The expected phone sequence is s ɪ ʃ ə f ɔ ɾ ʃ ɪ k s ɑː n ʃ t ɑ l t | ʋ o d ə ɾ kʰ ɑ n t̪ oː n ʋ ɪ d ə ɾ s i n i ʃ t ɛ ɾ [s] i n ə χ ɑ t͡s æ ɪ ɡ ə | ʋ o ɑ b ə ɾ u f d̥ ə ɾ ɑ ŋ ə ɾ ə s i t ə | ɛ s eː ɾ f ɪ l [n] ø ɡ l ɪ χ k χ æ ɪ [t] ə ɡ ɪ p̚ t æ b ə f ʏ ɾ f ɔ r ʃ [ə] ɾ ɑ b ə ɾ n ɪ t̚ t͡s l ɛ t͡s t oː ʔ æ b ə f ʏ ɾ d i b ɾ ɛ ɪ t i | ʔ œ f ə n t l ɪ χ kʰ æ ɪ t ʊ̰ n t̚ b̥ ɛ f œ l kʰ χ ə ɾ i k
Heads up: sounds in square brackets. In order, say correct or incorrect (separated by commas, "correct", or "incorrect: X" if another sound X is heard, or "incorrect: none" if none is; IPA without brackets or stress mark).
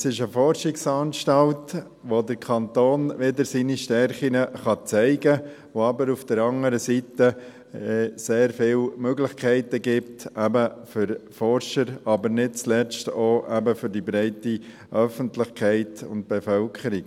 incorrect: χ, incorrect: m, correct, correct